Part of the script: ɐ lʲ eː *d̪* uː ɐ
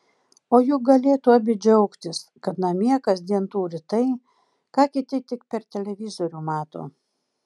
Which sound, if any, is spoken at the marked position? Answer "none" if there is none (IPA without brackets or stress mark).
t̪